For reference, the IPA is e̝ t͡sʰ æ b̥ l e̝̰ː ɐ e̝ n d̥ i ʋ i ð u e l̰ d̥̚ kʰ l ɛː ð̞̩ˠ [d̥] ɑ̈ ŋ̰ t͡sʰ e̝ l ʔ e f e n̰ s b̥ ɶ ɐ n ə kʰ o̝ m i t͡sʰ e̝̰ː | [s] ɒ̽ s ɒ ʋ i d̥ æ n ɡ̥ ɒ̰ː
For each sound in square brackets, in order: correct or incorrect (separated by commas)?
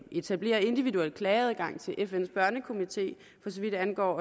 incorrect, incorrect